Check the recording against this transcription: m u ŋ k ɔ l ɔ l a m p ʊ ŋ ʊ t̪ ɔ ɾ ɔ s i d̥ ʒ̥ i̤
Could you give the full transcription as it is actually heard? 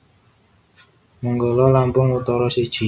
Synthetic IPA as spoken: m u ŋ ɡ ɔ l ɔ l a m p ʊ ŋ u t̪ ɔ ɾ ɔ s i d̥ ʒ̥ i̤

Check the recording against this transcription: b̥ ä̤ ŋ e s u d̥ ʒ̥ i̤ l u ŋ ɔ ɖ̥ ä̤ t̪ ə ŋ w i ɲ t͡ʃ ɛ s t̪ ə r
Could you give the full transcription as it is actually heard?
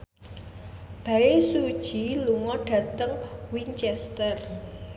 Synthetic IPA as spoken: b̥ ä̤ e s u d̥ ʒ̥ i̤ l u ŋ ɔ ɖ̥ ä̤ t̪ ə ŋ w i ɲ t͡ʃ ɛ s t̪ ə r

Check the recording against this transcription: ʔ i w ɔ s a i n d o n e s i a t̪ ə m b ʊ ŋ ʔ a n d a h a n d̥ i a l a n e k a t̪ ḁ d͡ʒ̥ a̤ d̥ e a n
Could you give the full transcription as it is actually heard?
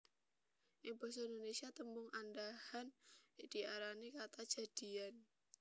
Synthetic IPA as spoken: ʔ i b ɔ s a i n d o n e s i a t̪ ə m b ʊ ŋ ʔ a n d a h a n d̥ i a ɾ a n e k a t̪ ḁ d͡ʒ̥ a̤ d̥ i a n

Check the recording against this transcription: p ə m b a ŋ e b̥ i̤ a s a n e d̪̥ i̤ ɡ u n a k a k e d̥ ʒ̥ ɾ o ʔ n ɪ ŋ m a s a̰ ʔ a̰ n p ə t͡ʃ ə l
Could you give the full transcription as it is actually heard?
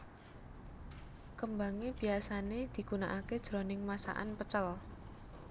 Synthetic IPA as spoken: k ə m b a ŋ e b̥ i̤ a s a n e d̪̥ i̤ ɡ u n a ʔ a k e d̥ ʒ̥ ɾ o n ɪ ŋ m a s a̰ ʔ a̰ n p ə t͡ʃ ə l

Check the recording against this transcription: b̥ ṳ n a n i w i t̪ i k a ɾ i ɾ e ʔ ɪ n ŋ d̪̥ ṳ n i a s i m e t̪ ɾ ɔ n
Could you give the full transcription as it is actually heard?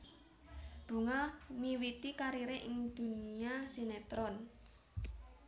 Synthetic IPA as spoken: b̥ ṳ ŋ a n i w i t̪ i k a ɾ i ɾ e ʔ ɪ ŋ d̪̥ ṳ n i a s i n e t̪ ɾ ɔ n

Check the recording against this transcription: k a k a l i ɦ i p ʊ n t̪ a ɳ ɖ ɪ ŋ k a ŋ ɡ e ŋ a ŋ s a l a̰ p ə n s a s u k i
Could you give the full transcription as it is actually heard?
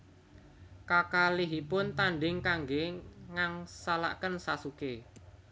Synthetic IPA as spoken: k a k a l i ɦ i p ʊ n t̪ a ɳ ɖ ɪ ŋ k a ŋ ɡ e ŋ a ŋ s a l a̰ k ə n s a s u k e

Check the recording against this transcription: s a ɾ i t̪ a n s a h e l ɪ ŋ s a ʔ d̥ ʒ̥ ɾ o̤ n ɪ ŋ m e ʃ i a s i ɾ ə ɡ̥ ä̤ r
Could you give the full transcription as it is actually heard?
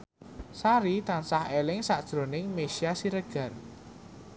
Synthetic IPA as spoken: s a ɾ i t̪ a n s a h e l ɪ ŋ s a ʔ d̥ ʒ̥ ɾ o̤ n ɪ ŋ m e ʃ i a s i ɾ ə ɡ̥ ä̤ r

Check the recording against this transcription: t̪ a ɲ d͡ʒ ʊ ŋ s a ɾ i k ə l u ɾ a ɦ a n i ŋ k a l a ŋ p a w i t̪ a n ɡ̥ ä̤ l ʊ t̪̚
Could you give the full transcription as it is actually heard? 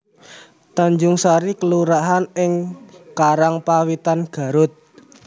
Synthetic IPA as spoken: t̪ a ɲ d͡ʒ ʊ ŋ s a ɾ i k ə l u ɾ a ɦ a n ɪ ŋ k a ɾ a ŋ p a w i t̪ a n ɡ̥ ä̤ ɾ ʊ t̪̚

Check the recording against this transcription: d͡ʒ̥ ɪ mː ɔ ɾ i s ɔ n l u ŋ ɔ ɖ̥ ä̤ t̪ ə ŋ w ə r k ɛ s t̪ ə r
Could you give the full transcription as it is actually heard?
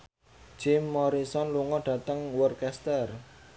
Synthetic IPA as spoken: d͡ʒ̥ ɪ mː ɔ ɾ i s ɔ n l u ŋ ɔ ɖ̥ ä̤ t̪ ə ŋ w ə r k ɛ s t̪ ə r

